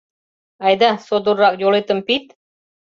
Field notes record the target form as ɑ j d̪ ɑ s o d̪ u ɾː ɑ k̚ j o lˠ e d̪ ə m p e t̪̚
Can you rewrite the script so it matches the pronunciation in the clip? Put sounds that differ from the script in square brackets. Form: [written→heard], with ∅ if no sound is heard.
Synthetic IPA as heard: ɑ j d̪ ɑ s o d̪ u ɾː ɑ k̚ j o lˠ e [d̪→t̪] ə m p [e→i] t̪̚